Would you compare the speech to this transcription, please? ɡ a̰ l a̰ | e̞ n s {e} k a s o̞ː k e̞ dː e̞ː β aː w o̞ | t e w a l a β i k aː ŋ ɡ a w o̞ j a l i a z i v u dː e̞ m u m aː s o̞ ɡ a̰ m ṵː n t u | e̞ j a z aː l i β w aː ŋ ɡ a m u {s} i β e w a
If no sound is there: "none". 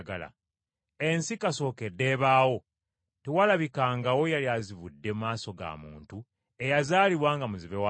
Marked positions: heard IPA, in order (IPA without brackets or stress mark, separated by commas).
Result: i, z